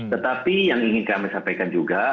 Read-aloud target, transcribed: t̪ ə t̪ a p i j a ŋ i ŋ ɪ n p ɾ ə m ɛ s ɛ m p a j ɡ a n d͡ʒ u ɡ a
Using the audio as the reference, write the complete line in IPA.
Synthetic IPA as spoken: t̪ ə t̪ a p i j a ŋ i ŋ ɪ n k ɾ a m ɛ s a m p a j k a n d͡ʒ u ɡ a